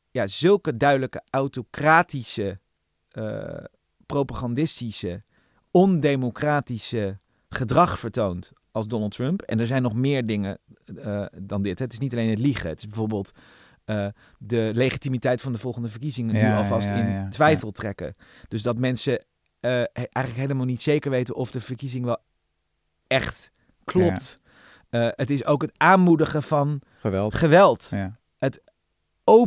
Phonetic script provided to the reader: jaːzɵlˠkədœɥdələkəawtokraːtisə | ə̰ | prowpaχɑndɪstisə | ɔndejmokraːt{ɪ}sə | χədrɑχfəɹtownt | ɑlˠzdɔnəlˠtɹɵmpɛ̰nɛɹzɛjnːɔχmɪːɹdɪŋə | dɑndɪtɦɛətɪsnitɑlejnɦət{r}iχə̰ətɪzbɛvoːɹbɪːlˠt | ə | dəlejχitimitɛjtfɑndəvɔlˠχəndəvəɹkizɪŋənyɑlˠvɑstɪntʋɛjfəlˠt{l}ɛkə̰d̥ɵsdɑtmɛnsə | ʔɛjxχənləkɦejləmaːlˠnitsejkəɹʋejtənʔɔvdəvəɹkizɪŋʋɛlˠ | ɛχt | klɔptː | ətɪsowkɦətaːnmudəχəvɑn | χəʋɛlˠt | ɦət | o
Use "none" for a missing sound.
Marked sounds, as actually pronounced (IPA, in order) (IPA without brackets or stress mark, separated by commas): i, l, r